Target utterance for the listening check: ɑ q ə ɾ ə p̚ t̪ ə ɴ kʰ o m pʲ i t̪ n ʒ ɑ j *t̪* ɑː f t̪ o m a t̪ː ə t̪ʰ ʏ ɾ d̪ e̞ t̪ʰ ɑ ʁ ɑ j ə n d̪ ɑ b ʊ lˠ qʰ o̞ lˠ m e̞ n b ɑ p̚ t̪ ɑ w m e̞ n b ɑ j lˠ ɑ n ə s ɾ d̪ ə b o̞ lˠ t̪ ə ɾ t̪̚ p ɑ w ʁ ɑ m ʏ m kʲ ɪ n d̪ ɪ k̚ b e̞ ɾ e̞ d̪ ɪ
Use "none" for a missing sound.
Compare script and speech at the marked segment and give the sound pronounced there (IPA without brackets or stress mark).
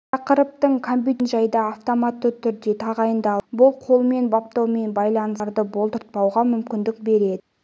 d̪